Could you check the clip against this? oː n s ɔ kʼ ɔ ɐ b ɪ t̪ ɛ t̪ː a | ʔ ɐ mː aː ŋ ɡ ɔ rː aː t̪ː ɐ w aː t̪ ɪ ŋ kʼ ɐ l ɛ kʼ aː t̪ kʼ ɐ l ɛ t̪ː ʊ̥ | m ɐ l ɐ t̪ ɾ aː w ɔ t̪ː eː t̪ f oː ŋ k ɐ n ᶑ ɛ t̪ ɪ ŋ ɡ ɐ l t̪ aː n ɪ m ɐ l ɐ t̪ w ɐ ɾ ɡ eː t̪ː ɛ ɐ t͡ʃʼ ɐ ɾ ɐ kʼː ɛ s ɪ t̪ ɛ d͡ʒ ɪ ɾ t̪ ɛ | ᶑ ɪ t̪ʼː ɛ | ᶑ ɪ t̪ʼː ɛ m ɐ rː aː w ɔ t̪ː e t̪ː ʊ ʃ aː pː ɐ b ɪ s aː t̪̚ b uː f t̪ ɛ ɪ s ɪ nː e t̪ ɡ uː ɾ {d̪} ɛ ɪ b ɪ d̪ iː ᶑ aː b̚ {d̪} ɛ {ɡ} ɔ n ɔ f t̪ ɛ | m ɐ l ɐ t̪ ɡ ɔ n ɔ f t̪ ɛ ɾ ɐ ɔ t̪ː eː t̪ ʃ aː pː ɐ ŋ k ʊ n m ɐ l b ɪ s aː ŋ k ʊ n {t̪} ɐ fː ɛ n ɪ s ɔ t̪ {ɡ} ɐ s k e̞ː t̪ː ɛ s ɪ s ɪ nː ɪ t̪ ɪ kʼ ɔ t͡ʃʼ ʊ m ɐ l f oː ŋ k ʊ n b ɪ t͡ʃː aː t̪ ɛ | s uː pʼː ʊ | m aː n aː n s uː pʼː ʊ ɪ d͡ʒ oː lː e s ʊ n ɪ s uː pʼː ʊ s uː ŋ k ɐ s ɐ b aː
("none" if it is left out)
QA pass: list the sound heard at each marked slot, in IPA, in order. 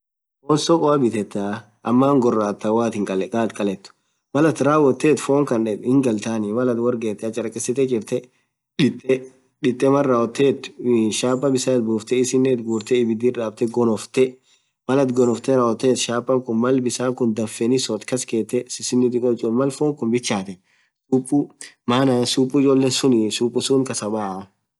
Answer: t̪, t̪, ɡ, d̪, k

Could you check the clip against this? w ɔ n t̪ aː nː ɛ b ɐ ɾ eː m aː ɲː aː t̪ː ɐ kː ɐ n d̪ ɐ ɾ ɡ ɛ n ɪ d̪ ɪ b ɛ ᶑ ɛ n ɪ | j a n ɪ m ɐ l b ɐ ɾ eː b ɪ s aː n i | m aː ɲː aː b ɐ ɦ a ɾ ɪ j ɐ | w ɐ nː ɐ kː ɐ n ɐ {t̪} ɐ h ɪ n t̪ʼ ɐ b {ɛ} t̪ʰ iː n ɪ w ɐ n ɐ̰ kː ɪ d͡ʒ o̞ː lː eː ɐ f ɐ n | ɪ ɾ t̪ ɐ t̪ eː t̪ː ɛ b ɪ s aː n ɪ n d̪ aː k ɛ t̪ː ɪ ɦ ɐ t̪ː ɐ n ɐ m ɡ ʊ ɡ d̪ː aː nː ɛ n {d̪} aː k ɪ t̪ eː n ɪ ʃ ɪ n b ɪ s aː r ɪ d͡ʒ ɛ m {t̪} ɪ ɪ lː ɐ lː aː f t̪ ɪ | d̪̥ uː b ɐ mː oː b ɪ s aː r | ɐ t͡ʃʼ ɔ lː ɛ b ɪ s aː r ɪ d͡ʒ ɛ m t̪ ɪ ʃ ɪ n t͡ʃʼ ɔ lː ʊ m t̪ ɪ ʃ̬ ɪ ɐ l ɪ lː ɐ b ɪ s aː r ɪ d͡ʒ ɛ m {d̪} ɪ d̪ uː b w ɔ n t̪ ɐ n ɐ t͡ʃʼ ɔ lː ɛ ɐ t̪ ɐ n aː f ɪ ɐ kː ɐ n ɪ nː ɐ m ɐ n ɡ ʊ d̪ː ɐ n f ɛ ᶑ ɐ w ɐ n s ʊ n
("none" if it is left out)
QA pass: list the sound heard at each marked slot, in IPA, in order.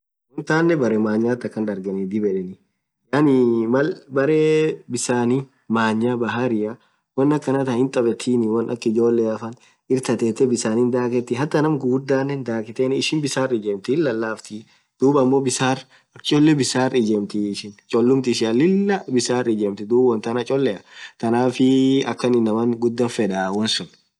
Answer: t̪, ɛ, d̪, t̪, t̪

